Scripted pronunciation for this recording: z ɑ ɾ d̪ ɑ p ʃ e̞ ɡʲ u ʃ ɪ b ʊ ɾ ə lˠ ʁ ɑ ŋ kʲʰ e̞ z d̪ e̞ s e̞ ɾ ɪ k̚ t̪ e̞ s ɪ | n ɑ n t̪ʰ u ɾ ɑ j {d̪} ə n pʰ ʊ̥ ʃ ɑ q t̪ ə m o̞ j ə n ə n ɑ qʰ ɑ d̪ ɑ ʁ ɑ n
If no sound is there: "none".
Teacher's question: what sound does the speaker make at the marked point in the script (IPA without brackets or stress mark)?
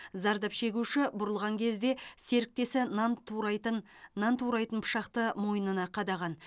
t̪